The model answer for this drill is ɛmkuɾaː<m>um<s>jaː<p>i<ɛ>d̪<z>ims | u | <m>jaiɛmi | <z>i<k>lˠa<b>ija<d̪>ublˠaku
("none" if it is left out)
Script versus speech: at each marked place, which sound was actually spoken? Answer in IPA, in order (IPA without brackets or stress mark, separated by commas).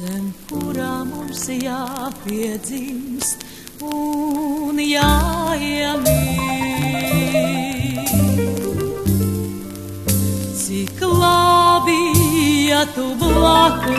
m, s, p, ɛ, z, n, s, k, b, t̪